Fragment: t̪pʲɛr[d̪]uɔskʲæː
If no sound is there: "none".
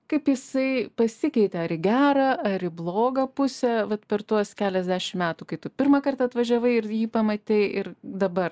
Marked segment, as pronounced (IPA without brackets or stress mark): t̪